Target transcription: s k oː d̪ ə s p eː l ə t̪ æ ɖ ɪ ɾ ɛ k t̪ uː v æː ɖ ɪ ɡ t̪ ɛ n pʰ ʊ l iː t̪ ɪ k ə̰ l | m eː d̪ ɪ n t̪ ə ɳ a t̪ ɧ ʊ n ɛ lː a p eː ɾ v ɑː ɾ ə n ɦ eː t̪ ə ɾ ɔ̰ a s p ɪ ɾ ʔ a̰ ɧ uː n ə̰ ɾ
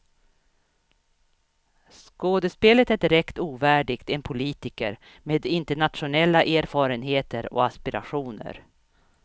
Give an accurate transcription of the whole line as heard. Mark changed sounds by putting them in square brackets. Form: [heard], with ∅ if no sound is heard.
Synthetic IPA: s k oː d̪ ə s p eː l ə t̪ æ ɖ ɪ ɾ ɛ k t̪ uː v æː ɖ ɪ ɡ t̪ ɛ n pʰ ʊ l iː t̪ ɪ k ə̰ [ɾ] | m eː d̪ ɪ n t̪ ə ɳ a t̪ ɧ ʊ n ɛ lː a [ʔ] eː ɾ [f] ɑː ɾ ə n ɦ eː t̪ ə ɾ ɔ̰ a s p ɪ ɾ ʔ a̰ ɧ uː n ə̰ ɾ

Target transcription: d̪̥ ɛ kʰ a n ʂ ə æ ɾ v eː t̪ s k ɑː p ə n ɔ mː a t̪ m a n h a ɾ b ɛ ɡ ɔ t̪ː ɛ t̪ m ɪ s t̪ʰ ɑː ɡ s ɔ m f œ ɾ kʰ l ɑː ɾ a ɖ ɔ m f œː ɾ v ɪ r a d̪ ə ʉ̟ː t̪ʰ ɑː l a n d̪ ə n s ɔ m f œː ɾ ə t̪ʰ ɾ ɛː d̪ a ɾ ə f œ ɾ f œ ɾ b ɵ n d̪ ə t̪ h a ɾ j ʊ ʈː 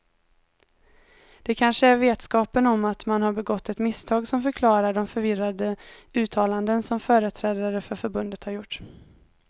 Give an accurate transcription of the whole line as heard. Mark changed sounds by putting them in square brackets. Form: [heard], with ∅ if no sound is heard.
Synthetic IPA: d̪̥ ɛ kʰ a n ʂ ə æ ɾ v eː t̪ s k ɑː p ə n ɔ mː a t̪ m a n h a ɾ b ɛ ɡ ɔ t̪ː ɛ t̪ m ɪ s t̪ʰ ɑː ɡ s ɔ m f œ ɾ kʰ l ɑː ɾ a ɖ ɔ m f [œ] ɾ v ɪ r a d̪ ə ʉ̟ː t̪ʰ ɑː l a n d̪ ə n s ɔ m f œː ɾ ə t̪ʰ ɾ ɛː d̪ a ɾ ə f œ ɾ f œ ɾ b ɵ n d̪ ə t̪ h a ɾ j ʊ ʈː

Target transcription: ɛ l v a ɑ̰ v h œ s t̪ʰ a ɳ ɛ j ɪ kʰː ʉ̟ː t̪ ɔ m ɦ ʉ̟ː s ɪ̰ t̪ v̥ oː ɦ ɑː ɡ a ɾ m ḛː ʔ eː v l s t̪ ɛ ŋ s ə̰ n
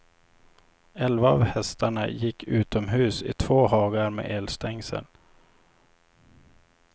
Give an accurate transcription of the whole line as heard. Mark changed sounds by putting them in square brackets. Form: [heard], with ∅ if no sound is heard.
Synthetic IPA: ɛ l v a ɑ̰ v h [ɛ] s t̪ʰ a ɳ [a] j ɪ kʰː ʉ̟ː t̪ ɔ m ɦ ʉ̟ː s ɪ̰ [t̪ʰ] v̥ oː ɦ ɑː ɡ a ɾ m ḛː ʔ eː [∅] l s t̪ ɛ ŋ s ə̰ n

